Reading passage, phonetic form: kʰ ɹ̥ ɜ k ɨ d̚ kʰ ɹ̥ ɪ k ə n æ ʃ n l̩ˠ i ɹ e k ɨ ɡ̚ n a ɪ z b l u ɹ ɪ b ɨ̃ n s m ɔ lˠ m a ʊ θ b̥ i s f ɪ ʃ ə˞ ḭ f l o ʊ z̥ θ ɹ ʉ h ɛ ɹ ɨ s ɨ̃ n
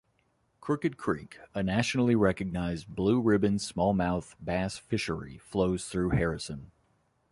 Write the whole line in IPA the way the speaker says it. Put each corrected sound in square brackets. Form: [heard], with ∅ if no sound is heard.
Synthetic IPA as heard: kʰ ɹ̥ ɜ k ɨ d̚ kʰ ɹ̥ [i] k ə n æ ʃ n l̩ˠ i ɹ [ɛ] k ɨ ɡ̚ n a ɪ z b l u ɹ ɪ b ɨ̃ n s m ɔ lˠ m a ʊ θ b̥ [æ] s f ɪ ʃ ə˞ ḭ f l o ʊ z̥ θ ɹ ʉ h ɛ ɹ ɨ s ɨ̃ n